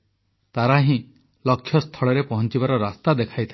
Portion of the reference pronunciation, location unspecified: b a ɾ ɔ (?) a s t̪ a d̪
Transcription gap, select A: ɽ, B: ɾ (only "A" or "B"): B